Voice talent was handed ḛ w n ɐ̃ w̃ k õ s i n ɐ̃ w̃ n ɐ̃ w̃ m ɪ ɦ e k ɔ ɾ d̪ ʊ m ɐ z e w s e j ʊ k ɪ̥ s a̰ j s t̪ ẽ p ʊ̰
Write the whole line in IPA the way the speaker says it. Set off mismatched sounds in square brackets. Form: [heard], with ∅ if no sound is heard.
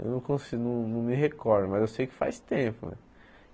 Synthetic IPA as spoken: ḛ w n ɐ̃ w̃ k õ s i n ɐ̃ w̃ n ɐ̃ w̃ m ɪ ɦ e k ɔ ɾ d̪ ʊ m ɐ z e w s e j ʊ k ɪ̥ [f] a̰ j s t̪ ẽ p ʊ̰